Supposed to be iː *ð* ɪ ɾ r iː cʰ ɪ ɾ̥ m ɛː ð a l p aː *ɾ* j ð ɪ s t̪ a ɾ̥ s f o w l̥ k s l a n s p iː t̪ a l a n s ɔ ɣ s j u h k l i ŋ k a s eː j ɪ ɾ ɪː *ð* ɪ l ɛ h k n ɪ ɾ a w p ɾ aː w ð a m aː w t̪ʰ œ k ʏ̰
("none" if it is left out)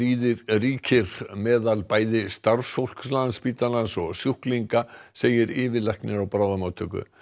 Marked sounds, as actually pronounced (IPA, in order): ð, none, v

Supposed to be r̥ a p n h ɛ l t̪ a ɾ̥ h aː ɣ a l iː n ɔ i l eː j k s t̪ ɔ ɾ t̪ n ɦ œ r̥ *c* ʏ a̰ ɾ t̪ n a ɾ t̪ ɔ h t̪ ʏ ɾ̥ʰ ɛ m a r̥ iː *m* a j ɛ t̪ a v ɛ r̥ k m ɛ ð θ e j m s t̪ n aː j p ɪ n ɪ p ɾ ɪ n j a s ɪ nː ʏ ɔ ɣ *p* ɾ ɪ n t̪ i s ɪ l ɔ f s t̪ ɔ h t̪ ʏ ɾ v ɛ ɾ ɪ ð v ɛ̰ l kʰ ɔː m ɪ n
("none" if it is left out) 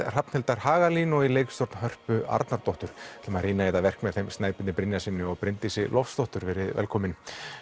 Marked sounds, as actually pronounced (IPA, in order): p, n, p

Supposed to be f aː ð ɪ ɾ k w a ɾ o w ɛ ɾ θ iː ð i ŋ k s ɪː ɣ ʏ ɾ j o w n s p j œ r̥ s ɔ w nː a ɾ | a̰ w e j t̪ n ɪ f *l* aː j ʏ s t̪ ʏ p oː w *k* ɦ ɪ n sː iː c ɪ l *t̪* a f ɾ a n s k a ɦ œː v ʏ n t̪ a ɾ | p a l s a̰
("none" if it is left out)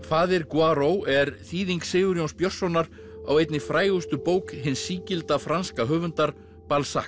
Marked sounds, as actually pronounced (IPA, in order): ɾ, k, t̪

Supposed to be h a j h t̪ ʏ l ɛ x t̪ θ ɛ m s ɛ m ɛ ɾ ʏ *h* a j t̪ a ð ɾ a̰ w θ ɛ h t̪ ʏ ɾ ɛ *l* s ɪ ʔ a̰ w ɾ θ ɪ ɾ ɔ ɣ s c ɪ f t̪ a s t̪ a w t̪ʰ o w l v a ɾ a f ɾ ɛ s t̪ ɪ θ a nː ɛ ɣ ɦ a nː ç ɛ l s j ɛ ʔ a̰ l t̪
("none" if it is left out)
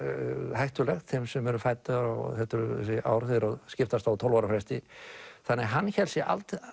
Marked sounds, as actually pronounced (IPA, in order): f, none

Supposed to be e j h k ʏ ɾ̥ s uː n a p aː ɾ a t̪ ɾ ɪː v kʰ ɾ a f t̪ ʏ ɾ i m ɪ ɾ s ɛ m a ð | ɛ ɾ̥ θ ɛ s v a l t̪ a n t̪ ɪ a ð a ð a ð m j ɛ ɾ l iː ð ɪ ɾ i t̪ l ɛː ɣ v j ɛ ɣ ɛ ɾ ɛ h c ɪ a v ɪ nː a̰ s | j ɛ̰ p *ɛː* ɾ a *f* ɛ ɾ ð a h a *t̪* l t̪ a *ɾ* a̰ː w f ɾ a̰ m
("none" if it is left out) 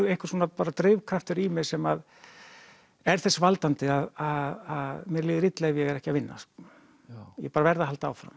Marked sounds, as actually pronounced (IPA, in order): aː, v, none, none

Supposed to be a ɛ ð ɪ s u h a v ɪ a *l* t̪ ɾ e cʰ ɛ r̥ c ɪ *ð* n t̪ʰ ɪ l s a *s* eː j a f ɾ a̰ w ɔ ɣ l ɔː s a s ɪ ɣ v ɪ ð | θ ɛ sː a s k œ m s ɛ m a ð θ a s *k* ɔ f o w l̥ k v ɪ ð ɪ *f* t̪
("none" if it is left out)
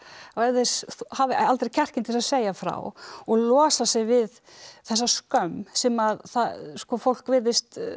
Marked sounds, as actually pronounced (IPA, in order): l, none, s, k, s

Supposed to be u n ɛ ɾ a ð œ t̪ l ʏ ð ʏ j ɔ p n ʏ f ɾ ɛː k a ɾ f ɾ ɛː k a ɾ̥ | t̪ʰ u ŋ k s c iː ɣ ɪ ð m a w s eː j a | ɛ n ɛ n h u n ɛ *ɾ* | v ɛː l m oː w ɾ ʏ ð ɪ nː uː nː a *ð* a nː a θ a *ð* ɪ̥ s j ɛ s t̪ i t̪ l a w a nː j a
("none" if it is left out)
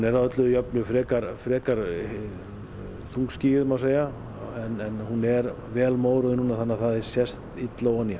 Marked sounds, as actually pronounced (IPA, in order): ɾ, θ, ð

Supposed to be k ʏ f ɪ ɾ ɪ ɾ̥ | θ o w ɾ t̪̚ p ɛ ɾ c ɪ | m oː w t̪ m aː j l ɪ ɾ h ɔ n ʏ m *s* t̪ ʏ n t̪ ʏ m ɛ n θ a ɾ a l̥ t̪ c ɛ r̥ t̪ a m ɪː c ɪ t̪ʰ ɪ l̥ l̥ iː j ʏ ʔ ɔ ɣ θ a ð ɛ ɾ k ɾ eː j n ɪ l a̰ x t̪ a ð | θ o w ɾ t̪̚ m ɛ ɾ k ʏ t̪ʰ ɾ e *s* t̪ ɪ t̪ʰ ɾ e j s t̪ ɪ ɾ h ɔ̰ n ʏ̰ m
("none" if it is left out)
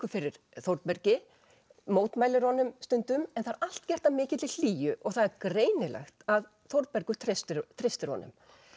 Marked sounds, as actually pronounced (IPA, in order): s, s

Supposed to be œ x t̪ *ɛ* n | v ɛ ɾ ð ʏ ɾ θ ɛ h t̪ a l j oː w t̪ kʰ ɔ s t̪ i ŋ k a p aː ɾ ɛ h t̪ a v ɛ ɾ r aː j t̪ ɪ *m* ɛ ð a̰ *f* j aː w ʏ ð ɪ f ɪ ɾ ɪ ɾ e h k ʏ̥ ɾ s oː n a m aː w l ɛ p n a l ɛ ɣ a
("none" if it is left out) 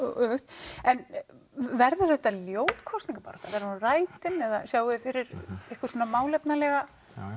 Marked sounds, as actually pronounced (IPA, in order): ɛ, n, s

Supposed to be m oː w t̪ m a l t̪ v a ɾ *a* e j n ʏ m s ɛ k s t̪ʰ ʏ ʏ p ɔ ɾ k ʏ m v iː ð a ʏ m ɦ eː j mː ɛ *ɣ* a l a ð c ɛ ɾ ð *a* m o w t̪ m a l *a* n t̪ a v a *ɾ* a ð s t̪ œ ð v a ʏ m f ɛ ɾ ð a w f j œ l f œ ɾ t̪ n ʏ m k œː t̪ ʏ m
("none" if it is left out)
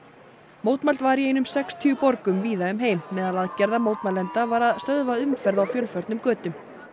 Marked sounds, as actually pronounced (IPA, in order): i, ð, a, ɛ, ɾ

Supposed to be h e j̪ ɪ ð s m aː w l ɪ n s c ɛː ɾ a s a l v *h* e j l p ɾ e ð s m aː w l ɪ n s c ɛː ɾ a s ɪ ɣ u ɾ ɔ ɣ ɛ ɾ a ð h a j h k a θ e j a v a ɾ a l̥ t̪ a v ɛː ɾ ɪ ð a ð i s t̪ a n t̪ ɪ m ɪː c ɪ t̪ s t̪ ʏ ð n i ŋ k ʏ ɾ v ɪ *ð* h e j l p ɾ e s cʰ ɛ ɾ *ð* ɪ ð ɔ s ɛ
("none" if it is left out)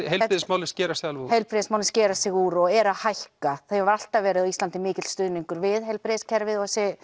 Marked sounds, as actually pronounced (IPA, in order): h, ð, v

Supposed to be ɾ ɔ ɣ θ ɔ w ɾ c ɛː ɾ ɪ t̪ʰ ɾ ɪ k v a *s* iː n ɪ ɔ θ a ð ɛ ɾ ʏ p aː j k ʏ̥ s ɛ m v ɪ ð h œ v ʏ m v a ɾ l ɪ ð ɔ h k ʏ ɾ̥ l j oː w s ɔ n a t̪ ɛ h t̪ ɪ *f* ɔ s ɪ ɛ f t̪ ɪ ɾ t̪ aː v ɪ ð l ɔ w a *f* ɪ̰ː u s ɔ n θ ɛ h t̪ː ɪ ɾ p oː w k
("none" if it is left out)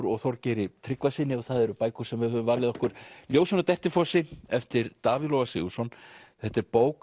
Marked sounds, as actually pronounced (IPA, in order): s, f, s

